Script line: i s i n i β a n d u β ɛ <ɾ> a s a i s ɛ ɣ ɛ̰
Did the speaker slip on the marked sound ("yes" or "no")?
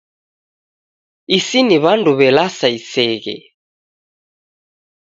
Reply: yes